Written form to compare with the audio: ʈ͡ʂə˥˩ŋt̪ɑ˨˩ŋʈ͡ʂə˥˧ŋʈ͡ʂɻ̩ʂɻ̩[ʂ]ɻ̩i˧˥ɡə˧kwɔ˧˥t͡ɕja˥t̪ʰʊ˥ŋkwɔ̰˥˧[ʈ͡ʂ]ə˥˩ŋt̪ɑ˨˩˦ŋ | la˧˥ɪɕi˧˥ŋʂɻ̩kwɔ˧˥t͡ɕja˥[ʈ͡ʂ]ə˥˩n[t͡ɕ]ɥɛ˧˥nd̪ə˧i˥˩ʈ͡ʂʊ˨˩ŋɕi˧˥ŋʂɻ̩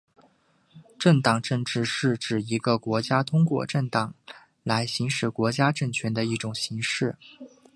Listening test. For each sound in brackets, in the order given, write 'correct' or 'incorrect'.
incorrect: ʈ͡ʂ, correct, correct, incorrect: t͡ɕʰ

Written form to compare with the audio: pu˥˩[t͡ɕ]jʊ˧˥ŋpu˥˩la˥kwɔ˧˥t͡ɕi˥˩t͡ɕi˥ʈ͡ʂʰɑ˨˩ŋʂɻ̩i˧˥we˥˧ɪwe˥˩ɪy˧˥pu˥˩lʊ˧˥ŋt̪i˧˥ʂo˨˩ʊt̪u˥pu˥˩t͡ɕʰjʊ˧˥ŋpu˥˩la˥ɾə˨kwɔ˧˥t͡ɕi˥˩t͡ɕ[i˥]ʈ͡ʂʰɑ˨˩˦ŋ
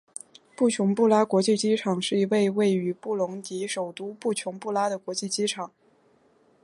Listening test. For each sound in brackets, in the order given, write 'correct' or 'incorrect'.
incorrect: t͡ɕʰ, correct

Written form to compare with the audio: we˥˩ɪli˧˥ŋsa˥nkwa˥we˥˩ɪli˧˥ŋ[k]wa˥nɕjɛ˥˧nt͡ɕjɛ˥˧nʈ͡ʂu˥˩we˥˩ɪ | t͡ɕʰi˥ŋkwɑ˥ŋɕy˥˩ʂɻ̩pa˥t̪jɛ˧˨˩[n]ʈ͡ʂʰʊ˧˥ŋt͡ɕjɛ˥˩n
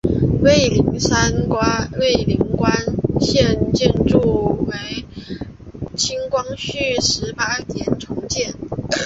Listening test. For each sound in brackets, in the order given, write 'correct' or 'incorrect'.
correct, correct

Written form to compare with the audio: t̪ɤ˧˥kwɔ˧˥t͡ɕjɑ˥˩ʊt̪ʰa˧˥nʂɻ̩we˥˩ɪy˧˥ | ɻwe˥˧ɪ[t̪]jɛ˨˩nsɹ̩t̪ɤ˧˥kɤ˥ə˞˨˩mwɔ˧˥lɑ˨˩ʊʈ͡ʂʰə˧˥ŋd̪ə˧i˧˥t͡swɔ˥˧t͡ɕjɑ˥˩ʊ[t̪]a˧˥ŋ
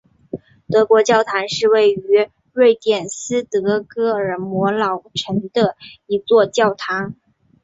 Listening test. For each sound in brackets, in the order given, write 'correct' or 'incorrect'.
correct, incorrect: t̪ʰ

